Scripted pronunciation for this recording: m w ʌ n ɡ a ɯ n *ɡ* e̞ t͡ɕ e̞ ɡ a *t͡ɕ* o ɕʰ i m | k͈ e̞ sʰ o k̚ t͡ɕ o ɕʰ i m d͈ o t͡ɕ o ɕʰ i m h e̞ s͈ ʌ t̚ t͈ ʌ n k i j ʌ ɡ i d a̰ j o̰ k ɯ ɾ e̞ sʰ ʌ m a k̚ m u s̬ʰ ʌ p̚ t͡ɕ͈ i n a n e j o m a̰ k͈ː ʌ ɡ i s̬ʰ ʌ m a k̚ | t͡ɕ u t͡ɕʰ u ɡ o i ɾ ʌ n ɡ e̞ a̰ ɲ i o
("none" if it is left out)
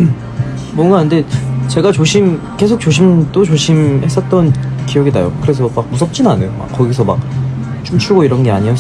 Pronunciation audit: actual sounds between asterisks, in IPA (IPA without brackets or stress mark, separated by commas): d, t͡ɕ